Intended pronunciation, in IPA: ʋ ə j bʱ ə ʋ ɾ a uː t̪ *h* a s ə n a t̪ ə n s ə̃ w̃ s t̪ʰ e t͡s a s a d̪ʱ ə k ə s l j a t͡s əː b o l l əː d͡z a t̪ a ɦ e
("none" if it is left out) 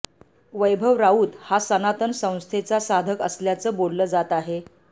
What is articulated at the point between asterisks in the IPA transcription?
h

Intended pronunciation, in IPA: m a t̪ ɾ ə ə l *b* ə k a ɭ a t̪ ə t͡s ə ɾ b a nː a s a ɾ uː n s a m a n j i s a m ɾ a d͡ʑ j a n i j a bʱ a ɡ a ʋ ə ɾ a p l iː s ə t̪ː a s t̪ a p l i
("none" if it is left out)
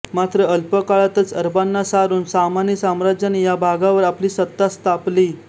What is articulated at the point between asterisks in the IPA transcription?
p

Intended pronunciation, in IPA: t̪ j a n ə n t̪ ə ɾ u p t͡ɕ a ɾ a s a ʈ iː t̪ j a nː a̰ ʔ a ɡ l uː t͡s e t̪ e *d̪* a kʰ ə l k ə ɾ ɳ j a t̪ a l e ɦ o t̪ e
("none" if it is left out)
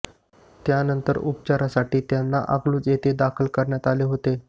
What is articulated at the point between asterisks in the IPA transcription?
d̪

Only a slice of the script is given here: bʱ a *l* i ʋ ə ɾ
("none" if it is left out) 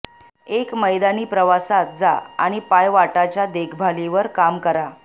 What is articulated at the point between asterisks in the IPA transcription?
l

